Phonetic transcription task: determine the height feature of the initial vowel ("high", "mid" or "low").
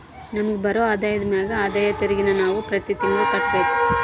low